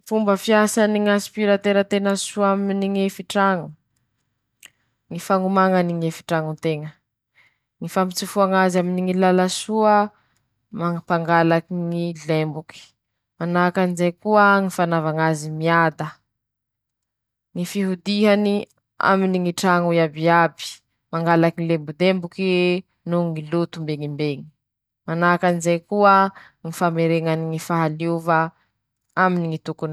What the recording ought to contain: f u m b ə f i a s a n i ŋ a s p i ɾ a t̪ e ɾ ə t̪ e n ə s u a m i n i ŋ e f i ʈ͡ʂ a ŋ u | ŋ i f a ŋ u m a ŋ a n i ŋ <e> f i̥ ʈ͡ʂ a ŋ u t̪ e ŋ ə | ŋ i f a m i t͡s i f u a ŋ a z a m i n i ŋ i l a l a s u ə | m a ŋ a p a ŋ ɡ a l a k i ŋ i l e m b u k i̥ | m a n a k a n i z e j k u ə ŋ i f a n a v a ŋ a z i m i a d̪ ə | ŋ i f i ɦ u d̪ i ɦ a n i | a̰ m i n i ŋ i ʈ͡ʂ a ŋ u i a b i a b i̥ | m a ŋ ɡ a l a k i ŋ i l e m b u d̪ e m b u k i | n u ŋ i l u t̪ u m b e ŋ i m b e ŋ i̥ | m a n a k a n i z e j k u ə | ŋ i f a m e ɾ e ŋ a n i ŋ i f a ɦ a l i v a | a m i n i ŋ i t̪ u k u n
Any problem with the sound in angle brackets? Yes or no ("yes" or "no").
no